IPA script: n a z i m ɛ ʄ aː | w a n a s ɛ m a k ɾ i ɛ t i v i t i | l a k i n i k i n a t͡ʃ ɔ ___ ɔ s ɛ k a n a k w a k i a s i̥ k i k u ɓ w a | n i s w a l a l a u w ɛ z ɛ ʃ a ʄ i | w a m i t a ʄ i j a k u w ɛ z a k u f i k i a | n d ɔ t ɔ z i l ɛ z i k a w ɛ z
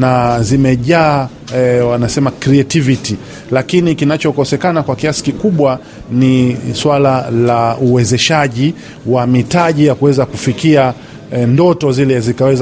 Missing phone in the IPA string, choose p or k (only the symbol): k